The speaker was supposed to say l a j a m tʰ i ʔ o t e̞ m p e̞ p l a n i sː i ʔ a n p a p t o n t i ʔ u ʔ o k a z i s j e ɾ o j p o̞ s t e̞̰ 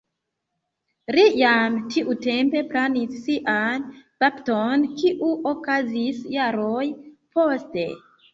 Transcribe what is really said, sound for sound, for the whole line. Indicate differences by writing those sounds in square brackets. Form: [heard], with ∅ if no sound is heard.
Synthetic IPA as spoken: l [i] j a m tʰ i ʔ [u] t e̞ m p e̞ p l a n i sː i ʔ a n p a p t o n [k] i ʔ u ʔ o k a z i s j [a] ɾ o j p o̞ s t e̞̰